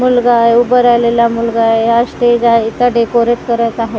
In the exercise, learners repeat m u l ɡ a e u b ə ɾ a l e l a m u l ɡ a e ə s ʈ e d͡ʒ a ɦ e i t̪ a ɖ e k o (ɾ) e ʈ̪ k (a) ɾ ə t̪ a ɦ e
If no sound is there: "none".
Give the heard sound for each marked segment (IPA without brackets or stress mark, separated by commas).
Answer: ɾ, ə